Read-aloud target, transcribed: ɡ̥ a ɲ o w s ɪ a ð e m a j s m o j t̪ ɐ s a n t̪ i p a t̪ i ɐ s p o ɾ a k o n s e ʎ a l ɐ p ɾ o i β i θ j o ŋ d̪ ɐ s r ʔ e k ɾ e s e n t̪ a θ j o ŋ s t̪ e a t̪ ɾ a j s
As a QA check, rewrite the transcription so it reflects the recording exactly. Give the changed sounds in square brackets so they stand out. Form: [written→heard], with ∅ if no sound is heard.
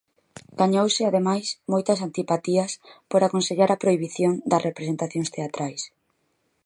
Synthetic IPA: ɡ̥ a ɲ o w s ɪ a ð e m a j s m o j t̪ ɐ s a n t̪ i p a t̪ i ɐ s p o ɾ a k o n s e ʎ a [l→ɾ] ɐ p ɾ o i β i θ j o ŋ d̪ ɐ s r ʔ e [k→p] ɾ e s e n t̪ a θ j o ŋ s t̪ e a t̪ ɾ a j s